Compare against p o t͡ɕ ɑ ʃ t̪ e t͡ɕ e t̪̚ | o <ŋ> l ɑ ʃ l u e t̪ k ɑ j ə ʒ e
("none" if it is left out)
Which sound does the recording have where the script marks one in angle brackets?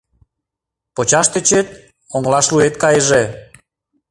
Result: ŋ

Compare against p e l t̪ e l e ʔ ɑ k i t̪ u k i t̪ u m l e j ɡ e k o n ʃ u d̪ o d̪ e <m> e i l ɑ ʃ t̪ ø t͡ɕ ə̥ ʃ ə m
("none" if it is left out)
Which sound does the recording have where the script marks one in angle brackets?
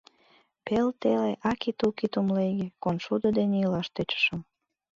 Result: n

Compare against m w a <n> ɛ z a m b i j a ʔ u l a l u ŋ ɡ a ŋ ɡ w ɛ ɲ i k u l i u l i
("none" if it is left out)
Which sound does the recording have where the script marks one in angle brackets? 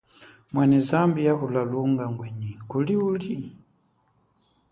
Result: n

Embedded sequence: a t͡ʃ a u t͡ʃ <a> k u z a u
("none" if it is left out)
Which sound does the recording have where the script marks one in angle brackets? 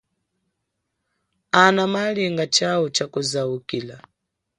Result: a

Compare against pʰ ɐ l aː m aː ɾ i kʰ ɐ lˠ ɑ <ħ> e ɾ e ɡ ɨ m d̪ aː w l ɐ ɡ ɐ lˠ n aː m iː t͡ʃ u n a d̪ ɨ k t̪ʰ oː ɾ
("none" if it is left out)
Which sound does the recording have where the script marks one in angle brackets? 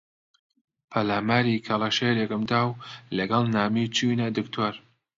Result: ʃ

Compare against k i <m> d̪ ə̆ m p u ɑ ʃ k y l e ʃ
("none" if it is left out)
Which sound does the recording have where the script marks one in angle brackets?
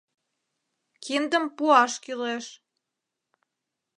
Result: n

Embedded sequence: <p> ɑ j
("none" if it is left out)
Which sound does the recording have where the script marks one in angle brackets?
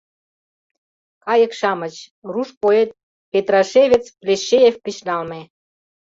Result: k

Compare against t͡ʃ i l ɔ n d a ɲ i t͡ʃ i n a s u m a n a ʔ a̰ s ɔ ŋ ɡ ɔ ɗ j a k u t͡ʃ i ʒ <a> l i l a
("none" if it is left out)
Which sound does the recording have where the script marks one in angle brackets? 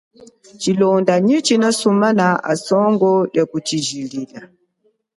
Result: i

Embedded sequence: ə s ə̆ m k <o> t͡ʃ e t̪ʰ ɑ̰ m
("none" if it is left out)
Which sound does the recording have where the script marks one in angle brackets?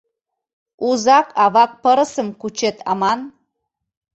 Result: u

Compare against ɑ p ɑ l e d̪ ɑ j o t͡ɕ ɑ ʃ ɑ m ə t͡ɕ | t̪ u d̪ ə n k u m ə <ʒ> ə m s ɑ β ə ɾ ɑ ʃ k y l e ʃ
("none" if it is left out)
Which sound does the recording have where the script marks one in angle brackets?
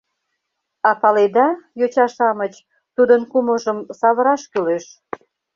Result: ʒ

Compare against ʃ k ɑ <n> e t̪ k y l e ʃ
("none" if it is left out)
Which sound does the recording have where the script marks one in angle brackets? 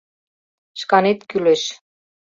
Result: n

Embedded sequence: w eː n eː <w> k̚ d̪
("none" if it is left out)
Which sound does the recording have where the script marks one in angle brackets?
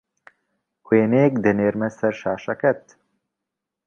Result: none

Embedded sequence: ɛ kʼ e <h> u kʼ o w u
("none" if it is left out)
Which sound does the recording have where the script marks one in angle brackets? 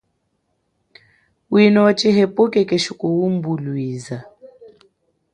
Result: ʃ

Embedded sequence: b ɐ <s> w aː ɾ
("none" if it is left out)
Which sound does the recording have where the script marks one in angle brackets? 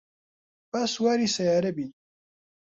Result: s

